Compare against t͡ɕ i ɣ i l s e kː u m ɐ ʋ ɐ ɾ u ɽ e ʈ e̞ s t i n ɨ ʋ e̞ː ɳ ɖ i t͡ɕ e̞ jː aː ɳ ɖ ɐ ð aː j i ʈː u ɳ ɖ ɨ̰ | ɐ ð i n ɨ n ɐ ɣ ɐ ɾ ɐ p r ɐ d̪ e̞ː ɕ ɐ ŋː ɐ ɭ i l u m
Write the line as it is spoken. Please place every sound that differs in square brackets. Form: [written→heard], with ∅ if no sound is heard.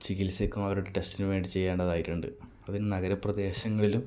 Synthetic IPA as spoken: t͡ɕ i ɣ i l s e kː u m ɐ ʋ ɐ ɾ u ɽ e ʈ e̞ s t i n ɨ ʋ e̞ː ɳ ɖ i t͡ɕ e̞ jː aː ɳ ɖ ɐ ð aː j i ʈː u ɳ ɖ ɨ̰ | ɐ ð i n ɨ n ɐ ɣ ɐ ɾ ɐ p r ɐ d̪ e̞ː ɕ ɐ ŋː ɐ ɭ i l u m

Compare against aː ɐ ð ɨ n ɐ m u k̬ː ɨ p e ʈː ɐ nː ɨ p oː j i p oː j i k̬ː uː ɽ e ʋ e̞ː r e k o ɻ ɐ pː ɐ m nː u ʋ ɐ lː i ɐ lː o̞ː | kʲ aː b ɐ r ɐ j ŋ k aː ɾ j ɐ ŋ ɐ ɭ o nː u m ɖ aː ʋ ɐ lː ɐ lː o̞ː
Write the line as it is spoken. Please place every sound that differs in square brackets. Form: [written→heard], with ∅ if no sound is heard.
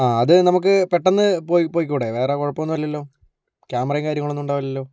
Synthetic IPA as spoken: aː ɐ ð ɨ n ɐ m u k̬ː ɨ p e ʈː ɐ nː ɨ p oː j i p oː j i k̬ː uː ɽ e ʋ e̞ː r e k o ɻ ɐ pː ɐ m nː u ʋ ɐ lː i ɐ lː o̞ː | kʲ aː [b→m] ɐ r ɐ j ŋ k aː ɾ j ɐ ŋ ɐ ɭ o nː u [m→ɳ] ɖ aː ʋ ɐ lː ɐ lː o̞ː

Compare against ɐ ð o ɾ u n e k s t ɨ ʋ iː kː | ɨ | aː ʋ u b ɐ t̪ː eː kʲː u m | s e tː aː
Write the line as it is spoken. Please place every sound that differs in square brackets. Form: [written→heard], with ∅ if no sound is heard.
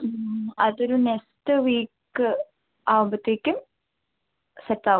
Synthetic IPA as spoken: ɐ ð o ɾ u n e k s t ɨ ʋ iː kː | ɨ | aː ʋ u b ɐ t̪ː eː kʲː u m | s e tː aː

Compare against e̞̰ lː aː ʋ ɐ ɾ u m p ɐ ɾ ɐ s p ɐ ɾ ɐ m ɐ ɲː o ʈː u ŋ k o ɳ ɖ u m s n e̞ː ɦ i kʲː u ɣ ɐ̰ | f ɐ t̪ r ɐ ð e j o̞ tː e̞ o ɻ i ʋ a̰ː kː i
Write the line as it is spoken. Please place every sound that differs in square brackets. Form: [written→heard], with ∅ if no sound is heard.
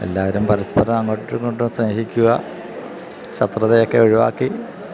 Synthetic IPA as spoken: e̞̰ lː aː ʋ ɐ ɾ u m p ɐ ɾ ɐ s p ɐ ɾ ɐ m ɐ [ɲː→ŋː] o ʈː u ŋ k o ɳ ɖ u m s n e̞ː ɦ i kʲː u ɣ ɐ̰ | [f→ɕ] ɐ t̪ r ɐ ð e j o̞ [tː→kː] e̞ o ɻ i ʋ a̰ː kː i

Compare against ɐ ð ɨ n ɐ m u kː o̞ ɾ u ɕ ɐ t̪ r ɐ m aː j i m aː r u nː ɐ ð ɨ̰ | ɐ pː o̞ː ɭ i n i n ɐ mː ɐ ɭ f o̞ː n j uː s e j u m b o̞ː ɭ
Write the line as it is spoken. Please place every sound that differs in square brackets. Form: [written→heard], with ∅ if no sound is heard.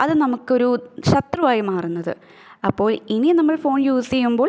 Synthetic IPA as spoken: ɐ ð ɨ n ɐ m u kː o̞ ɾ u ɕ ɐ t̪ r ɐ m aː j i m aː r u nː ɐ ð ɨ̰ | ɐ pː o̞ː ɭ i n i n ɐ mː ɐ ɭ f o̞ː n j uː s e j u m b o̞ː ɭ

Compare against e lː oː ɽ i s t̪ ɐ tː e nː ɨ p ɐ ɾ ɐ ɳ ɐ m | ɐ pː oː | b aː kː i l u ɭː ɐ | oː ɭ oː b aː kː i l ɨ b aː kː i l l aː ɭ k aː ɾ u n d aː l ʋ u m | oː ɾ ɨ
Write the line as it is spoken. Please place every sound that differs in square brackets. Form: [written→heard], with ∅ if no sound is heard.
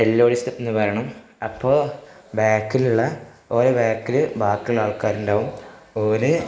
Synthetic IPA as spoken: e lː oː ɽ i s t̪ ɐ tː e nː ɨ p ɐ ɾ ɐ ɳ ɐ m | ɐ pː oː | b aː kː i l u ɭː ɐ | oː [ɭ→ɾ] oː b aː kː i l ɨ b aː kː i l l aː ɭ k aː ɾ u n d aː [l→∅] ʋ u m | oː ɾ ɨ

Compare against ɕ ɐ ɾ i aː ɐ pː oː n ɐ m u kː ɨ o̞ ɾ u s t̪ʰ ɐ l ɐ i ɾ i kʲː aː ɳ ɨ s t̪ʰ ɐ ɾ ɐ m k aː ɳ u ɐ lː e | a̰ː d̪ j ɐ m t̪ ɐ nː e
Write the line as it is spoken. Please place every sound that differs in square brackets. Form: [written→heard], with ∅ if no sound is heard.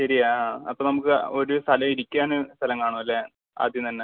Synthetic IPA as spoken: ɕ ɐ ɾ i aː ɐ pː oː n ɐ m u kː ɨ o̞ ɾ u s t̪ʰ ɐ l ɐ i ɾ i kʲː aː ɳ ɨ s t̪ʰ ɐ [ɾ→l] ɐ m k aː ɳ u ɐ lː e | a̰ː d̪ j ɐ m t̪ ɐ nː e

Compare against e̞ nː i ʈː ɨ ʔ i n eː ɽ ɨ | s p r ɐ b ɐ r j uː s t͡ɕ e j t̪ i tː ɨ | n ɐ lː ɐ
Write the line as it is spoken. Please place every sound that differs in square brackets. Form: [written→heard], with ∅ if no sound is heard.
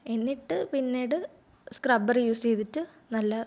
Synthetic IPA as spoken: e̞ nː i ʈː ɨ [ʔ→p] i [n→nː] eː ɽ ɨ | s [p→k] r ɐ b ɐ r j uː s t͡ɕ e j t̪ i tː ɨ | n ɐ lː ɐ

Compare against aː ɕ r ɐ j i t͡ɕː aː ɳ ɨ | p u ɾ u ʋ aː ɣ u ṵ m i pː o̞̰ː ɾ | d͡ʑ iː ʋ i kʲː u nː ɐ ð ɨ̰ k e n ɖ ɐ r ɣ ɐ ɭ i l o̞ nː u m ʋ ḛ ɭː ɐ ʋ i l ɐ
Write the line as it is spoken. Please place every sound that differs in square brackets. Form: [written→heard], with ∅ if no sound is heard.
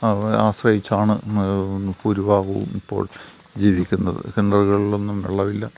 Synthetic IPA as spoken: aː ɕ r ɐ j i t͡ɕː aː ɳ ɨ | p u ɾ u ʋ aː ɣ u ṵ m i pː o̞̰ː [ɾ→ɭ] | d͡ʑ iː ʋ i kʲː u nː ɐ ð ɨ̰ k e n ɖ ɐ r ɣ ɐ ɭ i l o̞ nː u m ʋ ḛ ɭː ɐ ʋ i [l→lː] ɐ

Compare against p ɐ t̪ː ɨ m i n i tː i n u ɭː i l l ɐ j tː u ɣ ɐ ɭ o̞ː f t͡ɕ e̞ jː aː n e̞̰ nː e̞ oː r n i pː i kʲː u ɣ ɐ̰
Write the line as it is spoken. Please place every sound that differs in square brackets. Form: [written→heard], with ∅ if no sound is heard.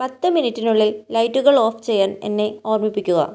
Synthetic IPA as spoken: p ɐ t̪ː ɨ m i n i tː i n u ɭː i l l ɐ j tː u ɣ ɐ ɭ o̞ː f t͡ɕ e̞ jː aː n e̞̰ nː e̞ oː r [n→m] i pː i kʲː u ɣ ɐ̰

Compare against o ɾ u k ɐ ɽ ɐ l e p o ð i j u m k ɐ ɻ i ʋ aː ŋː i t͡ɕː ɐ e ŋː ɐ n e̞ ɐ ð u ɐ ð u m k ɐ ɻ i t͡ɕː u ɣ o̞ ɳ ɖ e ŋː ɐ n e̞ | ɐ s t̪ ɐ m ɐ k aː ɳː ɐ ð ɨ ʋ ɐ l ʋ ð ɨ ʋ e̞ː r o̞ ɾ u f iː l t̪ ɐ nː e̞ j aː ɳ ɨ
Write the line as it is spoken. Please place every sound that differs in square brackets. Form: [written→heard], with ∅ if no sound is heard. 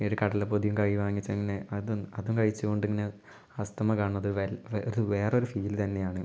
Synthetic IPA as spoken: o ɾ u k ɐ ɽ ɐ l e p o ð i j u m k ɐ ɻ i ʋ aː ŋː i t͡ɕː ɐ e ŋː ɐ n e̞ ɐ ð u ɐ ð u m k ɐ ɻ i t͡ɕː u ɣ o̞ ɳ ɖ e ŋː ɐ n e̞ | ɐ s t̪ ɐ m ɐ k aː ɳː ɐ ð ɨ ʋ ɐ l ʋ ð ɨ ʋ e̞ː r o̞ ɾ u f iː l t̪ ɐ nː e̞ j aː ɳ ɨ

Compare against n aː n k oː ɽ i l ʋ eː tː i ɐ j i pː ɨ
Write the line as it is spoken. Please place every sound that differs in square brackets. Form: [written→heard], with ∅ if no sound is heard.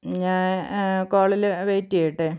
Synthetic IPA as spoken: [n→ɲ] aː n k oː [ɽ→ɭ] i l ʋ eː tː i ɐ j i [pː→ʈː] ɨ

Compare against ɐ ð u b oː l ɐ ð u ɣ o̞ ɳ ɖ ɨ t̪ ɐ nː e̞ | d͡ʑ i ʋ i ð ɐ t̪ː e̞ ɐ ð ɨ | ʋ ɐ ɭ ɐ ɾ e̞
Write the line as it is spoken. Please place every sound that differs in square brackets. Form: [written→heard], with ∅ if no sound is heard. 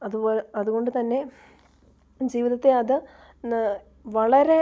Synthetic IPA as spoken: ɐ ð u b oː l ɐ ð u ɣ o̞ ɳ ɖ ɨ t̪ ɐ nː e̞ | d͡ʑ [i→iː] ʋ i ð ɐ t̪ː e̞ ɐ ð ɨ | ʋ ɐ ɭ ɐ ɾ e̞

